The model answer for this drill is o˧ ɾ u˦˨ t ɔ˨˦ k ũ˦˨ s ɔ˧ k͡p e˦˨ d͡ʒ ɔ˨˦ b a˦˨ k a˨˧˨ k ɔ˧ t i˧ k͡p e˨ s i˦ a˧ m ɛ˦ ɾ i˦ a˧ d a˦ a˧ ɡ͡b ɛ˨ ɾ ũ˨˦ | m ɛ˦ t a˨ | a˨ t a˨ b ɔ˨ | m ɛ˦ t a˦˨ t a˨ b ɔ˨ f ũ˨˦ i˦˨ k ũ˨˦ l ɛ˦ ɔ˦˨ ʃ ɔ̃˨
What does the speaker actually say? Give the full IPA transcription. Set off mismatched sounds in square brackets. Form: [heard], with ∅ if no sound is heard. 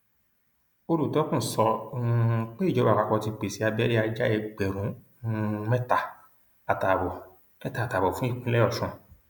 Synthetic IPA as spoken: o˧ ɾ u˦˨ t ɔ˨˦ k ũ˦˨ s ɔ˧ k͡p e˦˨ d͡ʒ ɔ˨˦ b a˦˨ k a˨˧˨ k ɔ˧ t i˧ k͡p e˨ s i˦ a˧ [b] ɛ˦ ɾ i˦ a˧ [d͡ʒ] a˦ [ɛ˧] ɡ͡b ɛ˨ ɾ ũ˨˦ | m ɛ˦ t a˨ | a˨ t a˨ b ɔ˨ | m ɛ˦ t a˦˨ t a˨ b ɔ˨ f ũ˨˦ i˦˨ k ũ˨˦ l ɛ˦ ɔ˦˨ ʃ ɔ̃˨